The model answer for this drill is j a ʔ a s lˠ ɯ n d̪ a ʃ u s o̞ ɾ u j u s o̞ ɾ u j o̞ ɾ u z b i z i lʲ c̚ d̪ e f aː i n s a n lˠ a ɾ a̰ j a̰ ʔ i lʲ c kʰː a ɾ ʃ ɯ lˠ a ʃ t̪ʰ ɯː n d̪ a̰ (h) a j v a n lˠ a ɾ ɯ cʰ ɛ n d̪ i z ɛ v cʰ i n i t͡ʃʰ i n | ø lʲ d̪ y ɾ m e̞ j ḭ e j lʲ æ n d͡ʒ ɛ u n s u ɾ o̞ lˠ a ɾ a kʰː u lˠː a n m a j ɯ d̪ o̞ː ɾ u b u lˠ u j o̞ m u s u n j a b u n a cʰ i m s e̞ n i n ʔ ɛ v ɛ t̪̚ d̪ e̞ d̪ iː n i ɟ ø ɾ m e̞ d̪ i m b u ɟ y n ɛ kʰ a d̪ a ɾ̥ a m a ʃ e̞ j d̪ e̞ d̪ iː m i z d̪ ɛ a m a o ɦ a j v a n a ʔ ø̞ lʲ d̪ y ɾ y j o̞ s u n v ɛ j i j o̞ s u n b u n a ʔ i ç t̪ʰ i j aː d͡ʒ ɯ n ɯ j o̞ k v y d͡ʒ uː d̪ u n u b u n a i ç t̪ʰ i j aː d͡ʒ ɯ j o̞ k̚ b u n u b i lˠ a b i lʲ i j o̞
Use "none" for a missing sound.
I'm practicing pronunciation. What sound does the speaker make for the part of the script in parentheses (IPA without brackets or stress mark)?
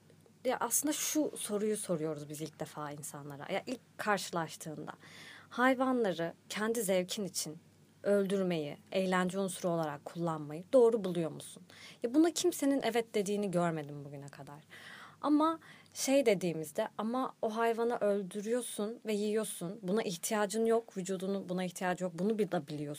h